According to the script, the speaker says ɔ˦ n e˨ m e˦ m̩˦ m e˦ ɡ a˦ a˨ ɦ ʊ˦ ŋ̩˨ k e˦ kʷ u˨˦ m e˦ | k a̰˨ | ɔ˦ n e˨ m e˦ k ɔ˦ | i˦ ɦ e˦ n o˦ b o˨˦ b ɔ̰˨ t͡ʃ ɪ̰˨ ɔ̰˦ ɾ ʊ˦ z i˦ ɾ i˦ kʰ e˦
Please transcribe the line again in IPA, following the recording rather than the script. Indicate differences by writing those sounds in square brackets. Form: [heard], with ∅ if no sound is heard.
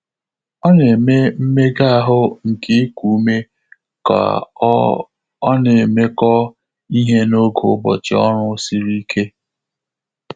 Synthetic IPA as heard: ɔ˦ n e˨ m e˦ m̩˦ m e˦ ɡ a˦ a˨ ɦ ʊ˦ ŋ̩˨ k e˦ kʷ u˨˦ m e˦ | k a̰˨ | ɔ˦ n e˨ m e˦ k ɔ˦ | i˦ ɦ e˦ n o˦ [ɡ] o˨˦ b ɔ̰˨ t͡ʃ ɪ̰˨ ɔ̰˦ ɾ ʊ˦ [s] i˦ ɾ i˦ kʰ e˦